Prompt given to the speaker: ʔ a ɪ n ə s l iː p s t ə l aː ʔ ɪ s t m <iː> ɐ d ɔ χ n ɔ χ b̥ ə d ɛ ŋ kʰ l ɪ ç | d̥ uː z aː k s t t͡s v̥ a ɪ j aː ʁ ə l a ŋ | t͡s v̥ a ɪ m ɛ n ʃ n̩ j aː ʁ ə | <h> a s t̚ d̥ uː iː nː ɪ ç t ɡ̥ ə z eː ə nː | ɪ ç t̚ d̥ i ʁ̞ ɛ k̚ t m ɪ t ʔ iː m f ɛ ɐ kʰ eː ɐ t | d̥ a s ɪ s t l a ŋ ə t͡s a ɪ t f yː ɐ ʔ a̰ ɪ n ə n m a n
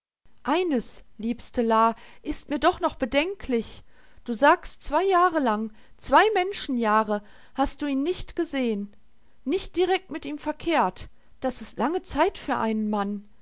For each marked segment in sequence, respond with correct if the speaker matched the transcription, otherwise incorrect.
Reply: correct, correct

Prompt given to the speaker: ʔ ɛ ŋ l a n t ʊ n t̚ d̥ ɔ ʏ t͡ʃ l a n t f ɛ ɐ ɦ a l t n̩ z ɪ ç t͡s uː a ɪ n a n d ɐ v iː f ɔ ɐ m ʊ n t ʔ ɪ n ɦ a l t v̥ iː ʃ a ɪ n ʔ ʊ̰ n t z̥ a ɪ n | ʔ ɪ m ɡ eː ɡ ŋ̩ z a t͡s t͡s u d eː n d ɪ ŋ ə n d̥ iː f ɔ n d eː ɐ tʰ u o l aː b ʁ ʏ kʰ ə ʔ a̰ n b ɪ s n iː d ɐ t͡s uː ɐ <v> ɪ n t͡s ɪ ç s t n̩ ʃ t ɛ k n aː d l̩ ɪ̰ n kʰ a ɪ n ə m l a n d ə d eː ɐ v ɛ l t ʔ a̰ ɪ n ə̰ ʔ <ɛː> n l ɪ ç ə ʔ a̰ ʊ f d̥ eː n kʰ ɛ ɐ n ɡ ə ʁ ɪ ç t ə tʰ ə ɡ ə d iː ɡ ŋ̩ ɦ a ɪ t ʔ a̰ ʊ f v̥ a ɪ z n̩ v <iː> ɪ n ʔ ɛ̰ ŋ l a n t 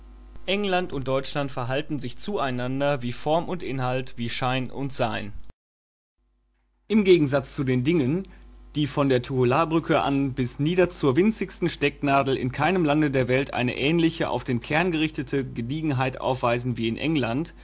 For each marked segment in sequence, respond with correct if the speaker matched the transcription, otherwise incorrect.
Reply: correct, correct, correct

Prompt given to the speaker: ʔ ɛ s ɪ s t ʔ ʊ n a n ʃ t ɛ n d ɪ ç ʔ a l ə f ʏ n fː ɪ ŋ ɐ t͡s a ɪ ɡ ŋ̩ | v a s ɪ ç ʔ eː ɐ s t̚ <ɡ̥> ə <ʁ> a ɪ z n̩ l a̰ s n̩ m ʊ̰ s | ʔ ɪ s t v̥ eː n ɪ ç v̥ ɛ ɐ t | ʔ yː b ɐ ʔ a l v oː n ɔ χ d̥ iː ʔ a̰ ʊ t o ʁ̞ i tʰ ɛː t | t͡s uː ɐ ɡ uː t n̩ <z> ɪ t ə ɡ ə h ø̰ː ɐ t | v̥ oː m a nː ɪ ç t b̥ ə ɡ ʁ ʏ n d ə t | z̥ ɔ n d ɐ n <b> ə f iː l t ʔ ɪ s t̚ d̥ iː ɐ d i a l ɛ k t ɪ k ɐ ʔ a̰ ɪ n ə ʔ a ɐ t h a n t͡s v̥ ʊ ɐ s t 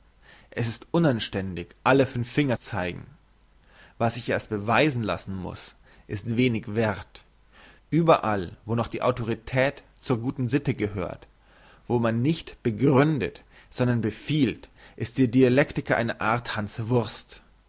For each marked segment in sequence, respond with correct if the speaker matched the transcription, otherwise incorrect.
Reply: incorrect: b̥, incorrect: v, correct, correct

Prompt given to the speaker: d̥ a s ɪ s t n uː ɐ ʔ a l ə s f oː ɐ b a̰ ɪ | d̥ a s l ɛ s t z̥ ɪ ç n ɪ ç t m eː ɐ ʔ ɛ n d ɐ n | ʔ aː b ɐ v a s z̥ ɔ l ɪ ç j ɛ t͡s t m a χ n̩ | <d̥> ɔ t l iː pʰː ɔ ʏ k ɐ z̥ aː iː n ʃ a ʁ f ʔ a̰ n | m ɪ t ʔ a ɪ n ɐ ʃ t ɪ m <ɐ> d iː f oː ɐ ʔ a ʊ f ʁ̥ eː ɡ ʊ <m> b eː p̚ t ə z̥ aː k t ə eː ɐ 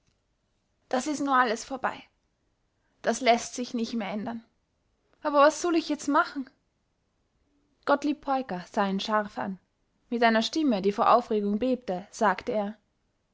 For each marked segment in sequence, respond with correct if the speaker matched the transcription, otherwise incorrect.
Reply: incorrect: ɡ̥, incorrect: ə, incorrect: ŋ

